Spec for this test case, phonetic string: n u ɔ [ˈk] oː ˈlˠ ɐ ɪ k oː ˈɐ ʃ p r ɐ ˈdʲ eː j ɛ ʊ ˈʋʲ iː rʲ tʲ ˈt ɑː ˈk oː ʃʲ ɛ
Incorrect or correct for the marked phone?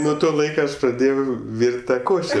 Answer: incorrect: t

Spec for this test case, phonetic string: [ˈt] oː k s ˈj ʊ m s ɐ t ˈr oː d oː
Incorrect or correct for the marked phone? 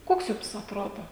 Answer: incorrect: k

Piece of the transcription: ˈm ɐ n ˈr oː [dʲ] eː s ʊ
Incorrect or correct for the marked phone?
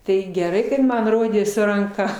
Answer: correct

